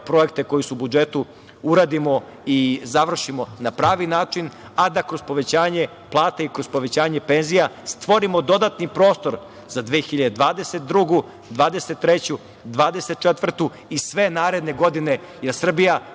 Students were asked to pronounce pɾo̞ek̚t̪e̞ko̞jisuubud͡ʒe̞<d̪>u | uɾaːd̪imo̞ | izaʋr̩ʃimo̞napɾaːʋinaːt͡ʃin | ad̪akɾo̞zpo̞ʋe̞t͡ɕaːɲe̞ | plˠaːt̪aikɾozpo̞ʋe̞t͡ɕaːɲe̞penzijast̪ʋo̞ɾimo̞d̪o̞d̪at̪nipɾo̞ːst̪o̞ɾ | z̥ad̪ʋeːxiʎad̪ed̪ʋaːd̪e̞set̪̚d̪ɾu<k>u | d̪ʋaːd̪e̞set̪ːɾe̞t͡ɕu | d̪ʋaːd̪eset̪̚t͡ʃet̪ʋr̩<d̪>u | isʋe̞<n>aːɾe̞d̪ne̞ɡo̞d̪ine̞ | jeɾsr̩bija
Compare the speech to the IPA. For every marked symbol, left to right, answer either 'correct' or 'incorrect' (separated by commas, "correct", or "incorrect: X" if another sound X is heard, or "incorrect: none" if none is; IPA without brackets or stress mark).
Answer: incorrect: t̪, incorrect: ɡ, incorrect: t̪, correct